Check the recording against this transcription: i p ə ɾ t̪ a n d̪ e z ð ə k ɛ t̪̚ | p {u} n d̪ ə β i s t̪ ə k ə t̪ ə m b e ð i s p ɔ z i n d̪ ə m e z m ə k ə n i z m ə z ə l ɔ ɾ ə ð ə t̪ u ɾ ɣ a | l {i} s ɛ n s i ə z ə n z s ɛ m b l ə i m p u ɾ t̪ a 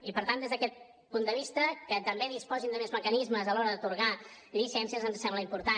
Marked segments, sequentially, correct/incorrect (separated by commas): correct, correct